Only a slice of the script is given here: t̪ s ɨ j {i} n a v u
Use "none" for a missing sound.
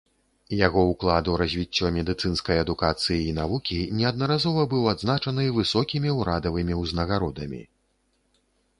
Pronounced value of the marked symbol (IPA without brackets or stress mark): iː